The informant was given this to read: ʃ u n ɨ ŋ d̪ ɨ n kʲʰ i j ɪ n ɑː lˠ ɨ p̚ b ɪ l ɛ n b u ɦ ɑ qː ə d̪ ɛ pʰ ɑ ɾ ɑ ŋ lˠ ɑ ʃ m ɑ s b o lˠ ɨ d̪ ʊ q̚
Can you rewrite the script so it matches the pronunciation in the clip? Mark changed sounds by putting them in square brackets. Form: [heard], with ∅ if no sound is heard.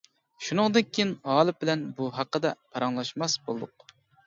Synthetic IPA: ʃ u n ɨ ŋ d̪ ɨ n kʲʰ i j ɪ n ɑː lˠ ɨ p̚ b ɪ l ɛ n b u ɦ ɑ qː ə d̪ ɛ pʰ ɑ ɾ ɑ ŋ lˠ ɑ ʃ m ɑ s b o lˠ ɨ d̪ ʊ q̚